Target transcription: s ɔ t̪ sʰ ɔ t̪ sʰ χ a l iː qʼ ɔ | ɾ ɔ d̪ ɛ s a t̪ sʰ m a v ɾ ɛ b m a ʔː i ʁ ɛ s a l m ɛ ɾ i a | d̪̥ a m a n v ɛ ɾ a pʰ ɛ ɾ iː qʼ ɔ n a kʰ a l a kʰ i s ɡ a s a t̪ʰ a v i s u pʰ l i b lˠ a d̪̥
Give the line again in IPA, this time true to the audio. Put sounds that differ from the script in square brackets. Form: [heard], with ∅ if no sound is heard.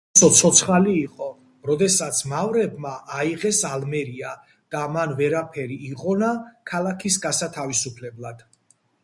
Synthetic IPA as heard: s ɔ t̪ sʰ ɔ t̪ sʰ χ a l iː qʼ ɔ | ɾ ɔ d̪ ɛ s a t̪ sʰ m a v ɾ ɛ b m a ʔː i ʁ ɛ s a l m ɛ ɾ i a | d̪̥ a m a n v ɛ ɾ a pʰ ɛ ɾ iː qʼ ɔ n a kʰ a l a kʰ i s ɡ a s a t̪ʰ a v i s u pʰ l [ɛ] b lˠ a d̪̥